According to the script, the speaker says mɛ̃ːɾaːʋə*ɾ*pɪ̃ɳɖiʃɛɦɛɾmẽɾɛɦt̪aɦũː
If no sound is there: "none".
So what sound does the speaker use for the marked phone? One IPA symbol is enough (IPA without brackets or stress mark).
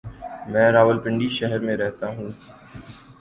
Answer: l